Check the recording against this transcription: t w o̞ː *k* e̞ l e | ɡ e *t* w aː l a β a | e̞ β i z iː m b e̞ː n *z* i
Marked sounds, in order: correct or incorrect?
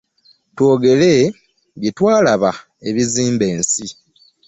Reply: incorrect: ɡ, correct, incorrect: s

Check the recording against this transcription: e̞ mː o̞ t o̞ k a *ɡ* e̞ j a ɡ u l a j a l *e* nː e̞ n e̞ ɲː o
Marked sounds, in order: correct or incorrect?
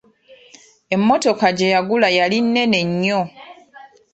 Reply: incorrect: ɟ, incorrect: i

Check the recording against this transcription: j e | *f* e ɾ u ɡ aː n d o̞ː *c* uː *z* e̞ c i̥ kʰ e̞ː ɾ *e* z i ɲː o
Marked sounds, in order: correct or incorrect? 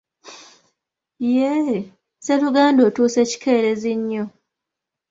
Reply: incorrect: s, incorrect: t, incorrect: s, correct

